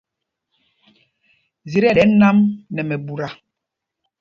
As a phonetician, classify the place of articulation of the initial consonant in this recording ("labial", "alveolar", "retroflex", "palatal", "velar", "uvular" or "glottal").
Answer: alveolar